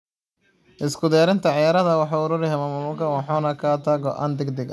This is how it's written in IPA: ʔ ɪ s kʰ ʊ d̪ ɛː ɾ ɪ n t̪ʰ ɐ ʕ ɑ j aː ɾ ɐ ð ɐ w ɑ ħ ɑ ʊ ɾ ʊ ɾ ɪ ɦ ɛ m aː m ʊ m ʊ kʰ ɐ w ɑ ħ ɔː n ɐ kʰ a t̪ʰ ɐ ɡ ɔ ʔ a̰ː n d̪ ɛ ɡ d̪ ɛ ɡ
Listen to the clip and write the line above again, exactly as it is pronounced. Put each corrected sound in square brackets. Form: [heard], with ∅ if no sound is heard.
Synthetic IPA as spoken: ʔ ɪ s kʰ ʊ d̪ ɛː ɾ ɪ n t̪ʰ ɐ ʕ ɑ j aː ɾ ɐ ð ɐ w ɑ ħ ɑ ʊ ɾ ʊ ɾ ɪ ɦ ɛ m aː m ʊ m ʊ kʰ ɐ w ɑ ħ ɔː n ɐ kʰ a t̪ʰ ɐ ɡ ɔ ʔ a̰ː n d̪ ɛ ɡ d̪ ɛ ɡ